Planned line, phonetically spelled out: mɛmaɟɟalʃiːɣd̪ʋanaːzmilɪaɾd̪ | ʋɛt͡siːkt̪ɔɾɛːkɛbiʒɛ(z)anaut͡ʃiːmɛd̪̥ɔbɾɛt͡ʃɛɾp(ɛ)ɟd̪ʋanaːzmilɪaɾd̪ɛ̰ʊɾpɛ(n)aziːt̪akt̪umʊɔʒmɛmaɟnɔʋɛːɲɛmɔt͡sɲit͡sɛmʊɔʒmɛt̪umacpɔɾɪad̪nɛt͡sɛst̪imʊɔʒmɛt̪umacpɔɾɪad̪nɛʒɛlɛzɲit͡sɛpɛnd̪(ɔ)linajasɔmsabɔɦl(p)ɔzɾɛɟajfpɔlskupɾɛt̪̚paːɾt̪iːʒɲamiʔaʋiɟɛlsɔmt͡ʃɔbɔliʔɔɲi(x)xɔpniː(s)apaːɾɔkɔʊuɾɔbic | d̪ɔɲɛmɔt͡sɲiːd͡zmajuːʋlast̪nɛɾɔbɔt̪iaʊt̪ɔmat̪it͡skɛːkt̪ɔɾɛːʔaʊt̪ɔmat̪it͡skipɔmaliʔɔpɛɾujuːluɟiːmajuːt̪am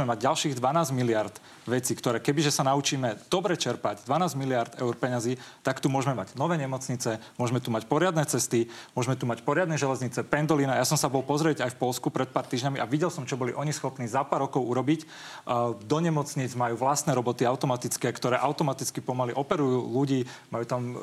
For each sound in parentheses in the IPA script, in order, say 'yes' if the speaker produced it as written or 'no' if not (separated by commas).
no, no, no, yes, yes, no, no